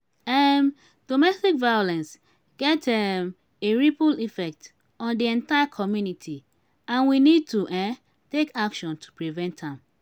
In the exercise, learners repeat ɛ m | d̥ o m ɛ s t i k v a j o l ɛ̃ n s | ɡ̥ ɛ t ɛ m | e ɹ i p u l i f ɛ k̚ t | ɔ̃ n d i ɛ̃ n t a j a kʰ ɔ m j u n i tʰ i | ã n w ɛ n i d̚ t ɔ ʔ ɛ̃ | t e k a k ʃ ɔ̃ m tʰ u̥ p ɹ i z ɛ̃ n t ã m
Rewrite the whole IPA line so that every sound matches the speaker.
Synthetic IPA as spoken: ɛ m | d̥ o m ɛ s t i k v a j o l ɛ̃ n s | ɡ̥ ɛ t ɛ m | e ɹ i p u l i f ɛ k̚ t | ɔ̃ n d i ɛ̃ n t a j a kʰ ɔ m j u n i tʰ i | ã n w i n i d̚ t u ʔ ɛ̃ | t e k a k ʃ ɔ̃ n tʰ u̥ p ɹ i v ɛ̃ n t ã m